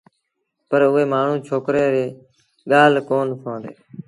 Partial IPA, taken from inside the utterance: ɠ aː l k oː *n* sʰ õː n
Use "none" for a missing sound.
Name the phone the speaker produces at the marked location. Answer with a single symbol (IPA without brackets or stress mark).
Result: n